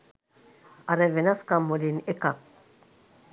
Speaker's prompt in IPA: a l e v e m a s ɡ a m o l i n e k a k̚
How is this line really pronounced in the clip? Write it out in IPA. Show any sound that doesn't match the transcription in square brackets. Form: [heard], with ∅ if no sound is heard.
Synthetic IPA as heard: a [ɾ] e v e [n] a s [k] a m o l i n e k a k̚

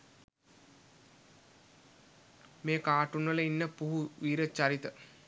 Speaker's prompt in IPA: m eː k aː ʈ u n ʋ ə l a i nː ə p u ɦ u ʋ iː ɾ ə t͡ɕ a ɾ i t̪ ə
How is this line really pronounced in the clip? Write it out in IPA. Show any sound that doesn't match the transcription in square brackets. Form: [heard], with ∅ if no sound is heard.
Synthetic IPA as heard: m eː k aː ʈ u n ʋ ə l [ə] i nː ə p u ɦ u ʋ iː ɾ ə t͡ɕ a ɾ i t̪ ə

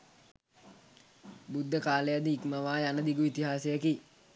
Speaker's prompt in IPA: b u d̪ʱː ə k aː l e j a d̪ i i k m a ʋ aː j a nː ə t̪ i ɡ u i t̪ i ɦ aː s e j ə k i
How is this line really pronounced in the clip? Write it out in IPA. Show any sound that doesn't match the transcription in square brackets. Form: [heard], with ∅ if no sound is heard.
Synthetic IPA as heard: b u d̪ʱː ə k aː l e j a d̪ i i k m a ʋ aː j a [n] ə [d̪] i ɡ u i t̪ i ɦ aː s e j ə k i

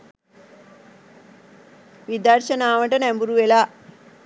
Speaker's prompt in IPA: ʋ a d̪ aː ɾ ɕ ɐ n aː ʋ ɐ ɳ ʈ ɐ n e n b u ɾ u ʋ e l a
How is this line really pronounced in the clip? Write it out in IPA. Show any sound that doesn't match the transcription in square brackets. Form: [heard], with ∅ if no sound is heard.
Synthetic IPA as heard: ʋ [i] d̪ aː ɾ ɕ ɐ n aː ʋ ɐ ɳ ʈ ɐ n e [m] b u ɾ u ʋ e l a

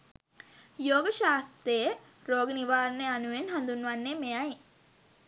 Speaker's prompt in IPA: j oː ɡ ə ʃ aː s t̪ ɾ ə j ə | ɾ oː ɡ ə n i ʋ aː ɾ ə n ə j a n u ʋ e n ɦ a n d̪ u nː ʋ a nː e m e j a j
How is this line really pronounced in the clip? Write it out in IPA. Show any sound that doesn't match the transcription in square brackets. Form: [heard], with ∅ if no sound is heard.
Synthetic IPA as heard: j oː ɡ ə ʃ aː s t̪ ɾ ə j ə | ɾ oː ɡ ə n i ʋ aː ɾ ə n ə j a n u ʋ e n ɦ a n d̪ u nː ʋ a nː e m e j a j

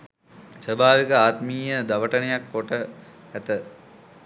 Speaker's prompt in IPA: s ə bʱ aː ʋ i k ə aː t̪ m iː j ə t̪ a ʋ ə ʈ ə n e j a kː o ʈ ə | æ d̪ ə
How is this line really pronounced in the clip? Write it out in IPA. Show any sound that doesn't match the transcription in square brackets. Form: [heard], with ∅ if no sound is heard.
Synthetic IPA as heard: s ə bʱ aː ʋ i k ə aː t̪ m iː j ə [d̪] a ʋ ə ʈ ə n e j a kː o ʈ ə | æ [t̪] ə

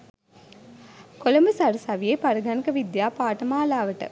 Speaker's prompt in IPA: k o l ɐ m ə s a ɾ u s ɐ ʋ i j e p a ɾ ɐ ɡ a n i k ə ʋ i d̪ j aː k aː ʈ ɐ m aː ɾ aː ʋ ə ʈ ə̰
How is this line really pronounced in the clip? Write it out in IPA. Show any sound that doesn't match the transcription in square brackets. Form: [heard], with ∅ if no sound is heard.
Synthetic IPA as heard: k o l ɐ m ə s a ɾ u s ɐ ʋ i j e p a ɾ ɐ ɡ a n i k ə ʋ i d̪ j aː [p] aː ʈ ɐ m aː [l] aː ʋ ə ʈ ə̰

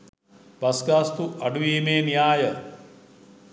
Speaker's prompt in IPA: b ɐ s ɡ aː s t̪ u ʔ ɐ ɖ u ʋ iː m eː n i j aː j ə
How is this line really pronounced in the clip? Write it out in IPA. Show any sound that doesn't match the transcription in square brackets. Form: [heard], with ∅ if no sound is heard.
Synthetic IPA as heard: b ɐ s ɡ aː s t̪ u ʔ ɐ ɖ u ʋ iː m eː n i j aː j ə

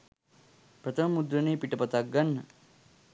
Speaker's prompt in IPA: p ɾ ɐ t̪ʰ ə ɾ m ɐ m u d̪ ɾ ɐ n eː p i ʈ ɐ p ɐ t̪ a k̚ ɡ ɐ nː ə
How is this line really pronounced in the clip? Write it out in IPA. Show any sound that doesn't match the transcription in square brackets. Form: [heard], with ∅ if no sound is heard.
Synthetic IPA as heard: p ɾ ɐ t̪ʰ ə [∅] m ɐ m u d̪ ɾ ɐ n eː p i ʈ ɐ p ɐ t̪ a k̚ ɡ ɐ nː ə

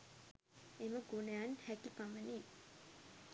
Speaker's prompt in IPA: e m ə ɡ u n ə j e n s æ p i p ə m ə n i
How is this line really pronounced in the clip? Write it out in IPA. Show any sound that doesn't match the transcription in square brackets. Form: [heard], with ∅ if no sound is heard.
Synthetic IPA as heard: e m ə ɡ u n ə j [a] n [h] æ [k] i p [a] m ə n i

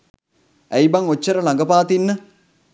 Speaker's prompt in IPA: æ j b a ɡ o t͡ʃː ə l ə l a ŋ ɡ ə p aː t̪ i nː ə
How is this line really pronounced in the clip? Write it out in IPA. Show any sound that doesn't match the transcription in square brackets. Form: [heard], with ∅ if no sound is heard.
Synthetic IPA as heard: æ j b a [ŋ] o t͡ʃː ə [ɾ] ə l a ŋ ɡ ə p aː t̪ i nː ə

